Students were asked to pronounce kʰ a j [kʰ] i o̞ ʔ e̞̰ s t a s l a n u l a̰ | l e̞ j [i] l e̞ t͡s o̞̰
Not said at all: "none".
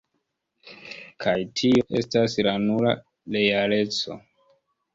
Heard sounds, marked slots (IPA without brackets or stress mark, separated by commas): tʰ, a